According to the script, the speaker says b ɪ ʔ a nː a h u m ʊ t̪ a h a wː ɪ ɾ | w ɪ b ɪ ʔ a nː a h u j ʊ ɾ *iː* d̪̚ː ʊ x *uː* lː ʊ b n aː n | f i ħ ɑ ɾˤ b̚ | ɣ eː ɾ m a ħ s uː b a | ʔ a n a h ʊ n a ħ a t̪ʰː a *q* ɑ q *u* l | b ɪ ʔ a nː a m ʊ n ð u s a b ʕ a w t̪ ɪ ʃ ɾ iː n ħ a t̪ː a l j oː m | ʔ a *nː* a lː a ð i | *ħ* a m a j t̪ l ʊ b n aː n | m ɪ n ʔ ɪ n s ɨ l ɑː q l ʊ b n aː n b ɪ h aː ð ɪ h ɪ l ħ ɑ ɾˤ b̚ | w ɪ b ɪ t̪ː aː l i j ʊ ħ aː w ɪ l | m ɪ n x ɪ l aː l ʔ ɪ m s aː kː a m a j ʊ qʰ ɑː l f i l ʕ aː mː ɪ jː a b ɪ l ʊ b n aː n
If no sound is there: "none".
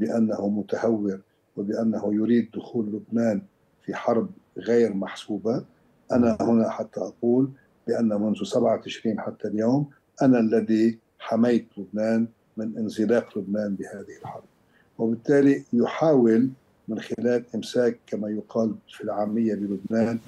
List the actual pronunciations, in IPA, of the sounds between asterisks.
iː, uː, ʔ, uː, n, ħ

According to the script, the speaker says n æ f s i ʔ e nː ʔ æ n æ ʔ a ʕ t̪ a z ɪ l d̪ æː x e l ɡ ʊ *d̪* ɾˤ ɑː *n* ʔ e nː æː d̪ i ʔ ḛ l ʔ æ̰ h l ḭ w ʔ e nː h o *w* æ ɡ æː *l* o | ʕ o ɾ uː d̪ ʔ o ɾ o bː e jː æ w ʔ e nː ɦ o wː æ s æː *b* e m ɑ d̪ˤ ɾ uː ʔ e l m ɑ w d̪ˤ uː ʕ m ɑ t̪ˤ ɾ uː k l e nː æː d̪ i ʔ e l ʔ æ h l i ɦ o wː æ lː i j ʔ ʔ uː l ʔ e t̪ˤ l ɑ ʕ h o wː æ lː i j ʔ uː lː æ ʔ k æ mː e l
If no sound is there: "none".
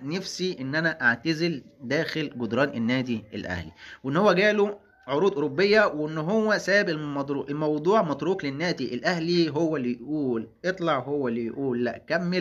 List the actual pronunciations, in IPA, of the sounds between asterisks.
d̪, n, wː, l, b

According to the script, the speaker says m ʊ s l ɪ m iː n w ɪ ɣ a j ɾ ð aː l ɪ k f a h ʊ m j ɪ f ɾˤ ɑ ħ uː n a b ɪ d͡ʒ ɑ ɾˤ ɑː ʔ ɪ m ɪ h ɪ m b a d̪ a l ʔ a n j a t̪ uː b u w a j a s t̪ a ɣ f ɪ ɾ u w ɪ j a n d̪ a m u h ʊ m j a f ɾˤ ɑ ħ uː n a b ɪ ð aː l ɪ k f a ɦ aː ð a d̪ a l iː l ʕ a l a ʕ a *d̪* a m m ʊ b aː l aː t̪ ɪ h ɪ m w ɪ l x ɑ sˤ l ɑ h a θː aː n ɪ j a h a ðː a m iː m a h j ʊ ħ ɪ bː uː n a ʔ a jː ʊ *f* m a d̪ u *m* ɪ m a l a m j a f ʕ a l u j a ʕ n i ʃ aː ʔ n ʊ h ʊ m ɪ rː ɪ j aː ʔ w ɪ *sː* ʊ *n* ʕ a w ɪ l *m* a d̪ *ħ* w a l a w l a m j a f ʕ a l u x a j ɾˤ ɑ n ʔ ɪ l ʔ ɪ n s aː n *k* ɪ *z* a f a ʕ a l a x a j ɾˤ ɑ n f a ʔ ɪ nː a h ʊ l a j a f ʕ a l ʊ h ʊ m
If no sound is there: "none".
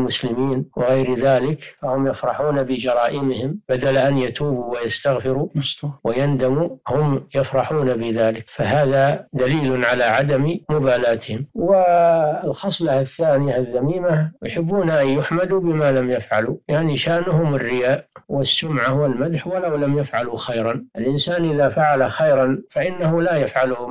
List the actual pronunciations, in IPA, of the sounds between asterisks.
d̪, ħ, b, sː, m, m, ħ, ʔ, ð

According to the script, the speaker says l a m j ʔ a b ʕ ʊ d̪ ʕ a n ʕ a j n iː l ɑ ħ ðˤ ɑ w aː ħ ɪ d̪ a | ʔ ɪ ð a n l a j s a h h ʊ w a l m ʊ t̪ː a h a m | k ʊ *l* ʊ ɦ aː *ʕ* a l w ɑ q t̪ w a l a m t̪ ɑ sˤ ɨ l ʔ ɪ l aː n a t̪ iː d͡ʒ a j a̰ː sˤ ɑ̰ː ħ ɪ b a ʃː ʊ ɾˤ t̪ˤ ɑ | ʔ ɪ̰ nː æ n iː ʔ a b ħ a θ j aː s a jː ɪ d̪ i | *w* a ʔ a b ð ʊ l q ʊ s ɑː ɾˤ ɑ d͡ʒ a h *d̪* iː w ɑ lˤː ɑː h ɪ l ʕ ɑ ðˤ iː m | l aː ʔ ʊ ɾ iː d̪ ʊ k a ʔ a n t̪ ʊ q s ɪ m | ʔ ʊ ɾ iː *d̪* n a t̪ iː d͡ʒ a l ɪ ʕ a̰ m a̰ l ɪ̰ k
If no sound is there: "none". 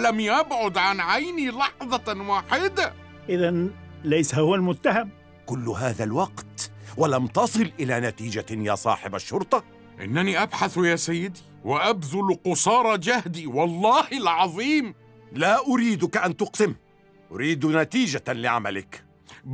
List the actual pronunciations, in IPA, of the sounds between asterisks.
lː, ð, w, d̪, d̪

